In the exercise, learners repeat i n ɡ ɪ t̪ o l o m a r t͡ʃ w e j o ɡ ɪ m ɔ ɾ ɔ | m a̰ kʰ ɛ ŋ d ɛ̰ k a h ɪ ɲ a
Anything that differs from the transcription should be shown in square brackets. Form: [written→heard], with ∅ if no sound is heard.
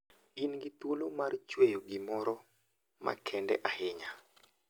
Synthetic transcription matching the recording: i n ɡ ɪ t̪ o l o m a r t͡ʃ w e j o ɡ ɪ m ɔ ɾ ɔ | m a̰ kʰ ɛ [ŋ→n] d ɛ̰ [k→ʔ] a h ɪ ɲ a

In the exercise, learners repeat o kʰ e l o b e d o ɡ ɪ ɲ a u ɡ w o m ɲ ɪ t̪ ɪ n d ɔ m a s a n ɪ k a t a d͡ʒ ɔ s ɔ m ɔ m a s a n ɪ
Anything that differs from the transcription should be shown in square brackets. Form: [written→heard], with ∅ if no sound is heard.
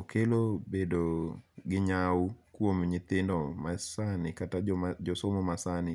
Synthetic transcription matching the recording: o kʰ e l o b e d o ɡ ɪ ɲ a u [ɡ→k] w o m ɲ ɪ t̪ ɪ n d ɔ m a s a n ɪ k a t a d͡ʒ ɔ s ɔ m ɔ m a s a n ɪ

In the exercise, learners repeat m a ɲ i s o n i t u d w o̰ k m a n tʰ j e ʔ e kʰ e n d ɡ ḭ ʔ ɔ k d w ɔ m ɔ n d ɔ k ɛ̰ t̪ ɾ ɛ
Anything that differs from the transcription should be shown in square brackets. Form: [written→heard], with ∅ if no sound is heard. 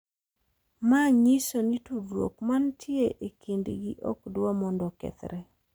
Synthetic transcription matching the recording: m a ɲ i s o n i t u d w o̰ k m a n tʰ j e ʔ e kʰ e n d ɡ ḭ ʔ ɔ k d w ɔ m ɔ n d ɔ k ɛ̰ t̪ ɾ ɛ

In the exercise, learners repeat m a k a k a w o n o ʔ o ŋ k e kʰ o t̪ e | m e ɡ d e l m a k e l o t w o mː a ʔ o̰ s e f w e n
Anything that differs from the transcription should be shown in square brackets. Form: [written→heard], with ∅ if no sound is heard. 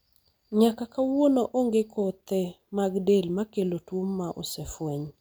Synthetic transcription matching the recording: [m→ɲ] a k a k a w o n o ʔ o ŋ [k→ɡ] e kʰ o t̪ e | m [e→a] ɡ d e l m a k e l o t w o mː a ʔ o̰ s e f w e [n→ɲ]

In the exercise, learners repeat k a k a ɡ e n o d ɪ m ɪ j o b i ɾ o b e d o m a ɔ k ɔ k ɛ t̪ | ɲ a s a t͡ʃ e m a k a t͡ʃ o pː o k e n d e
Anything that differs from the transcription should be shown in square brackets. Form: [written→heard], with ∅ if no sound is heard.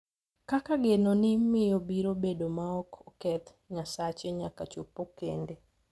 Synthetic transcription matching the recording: k a k a ɡ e n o [d→n] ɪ m ɪ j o b i ɾ o b e d o m a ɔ k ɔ k ɛ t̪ | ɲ a s a t͡ʃ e [m→ɲ] a k a t͡ʃ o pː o k e n d e

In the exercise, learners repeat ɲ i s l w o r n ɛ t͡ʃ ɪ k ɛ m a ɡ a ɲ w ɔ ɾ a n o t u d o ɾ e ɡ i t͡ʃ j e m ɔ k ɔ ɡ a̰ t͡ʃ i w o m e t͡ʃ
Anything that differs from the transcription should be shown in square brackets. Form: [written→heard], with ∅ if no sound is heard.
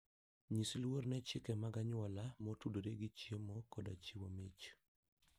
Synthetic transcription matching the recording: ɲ i s l w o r n ɛ t͡ʃ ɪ k ɛ m a ɡ a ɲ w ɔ [ɾ→l] a [n→m] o t u d o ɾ e ɡ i t͡ʃ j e m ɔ k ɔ [ɡ→d] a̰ t͡ʃ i w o m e t͡ʃ

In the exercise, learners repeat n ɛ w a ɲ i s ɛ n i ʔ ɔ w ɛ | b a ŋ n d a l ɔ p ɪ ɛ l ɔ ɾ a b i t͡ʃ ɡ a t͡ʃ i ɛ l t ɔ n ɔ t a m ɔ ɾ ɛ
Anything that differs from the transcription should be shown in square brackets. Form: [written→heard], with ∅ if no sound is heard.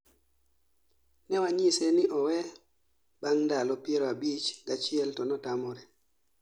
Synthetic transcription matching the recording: n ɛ w a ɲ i s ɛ n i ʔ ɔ w ɛ | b a ŋ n d a l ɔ p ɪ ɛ [l→ɾ] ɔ [ɾ→∅] a b i t͡ʃ ɡ a t͡ʃ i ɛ l t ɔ n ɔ t a m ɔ ɾ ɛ

